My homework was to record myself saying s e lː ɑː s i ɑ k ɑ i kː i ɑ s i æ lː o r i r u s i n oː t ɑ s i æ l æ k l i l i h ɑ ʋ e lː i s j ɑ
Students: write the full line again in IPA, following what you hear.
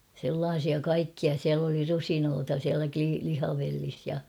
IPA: s e lː ɑː s i ɑ k ɑ i kː i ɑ s i æ l o l i r u s i n oː t ɑ s i æ l æ k l i l i h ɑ ʋ e lː i s j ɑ